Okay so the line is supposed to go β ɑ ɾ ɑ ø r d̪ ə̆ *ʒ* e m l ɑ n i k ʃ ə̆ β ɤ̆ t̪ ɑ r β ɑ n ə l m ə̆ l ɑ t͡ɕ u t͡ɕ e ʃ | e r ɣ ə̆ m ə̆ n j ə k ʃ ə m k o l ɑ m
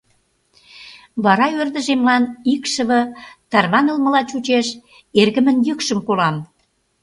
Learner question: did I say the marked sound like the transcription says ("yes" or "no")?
yes